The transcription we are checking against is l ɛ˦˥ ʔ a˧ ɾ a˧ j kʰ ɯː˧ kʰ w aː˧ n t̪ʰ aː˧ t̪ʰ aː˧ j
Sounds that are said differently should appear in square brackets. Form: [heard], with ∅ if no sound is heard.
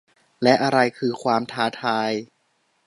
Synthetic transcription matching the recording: l ɛ˦˥ ʔ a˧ ɾ a˧ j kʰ ɯː˧ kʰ w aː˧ [m] t̪ʰ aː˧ t̪ʰ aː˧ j

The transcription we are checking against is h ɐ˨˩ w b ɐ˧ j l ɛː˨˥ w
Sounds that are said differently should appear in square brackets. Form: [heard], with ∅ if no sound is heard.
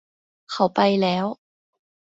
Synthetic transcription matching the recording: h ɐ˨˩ w [p] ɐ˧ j l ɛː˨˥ w

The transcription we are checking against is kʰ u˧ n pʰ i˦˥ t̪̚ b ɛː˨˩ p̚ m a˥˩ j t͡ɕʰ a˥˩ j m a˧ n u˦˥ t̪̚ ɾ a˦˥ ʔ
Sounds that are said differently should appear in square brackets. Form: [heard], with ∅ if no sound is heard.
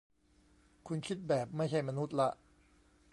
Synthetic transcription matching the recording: kʰ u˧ n [kʰ] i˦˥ t̪̚ b ɛː˨˩ p̚ m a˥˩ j t͡ɕʰ a˥˩ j m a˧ n u˦˥ t̪̚ [l] a˦˥ ʔ

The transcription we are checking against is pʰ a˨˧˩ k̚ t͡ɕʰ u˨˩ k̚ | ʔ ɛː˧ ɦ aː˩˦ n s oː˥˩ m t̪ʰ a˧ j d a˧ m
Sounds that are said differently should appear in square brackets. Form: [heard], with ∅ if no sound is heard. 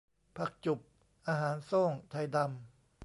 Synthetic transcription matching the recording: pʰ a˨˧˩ k̚ [t͡ɕ] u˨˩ [p̚] | ʔ [aː˧] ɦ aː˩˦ n s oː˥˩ [ŋ] t̪ʰ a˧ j d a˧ m

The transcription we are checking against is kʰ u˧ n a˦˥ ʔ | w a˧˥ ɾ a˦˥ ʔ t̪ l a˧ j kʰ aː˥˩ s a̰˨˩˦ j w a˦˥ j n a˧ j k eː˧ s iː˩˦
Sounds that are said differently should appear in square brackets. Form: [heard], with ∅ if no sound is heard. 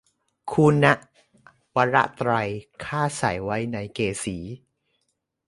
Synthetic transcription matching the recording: kʰ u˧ n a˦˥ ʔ | w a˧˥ ɾ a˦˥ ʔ t̪ [ɾ] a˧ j kʰ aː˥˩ s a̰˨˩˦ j w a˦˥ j n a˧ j k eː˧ s iː˩˦

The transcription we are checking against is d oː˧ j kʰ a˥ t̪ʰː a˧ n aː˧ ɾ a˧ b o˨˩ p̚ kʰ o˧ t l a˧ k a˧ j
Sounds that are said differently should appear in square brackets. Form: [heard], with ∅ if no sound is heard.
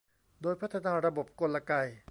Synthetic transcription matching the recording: d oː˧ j [pʰ] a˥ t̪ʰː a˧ n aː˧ ɾ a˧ b o˨˩ p̚ [k] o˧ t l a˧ k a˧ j

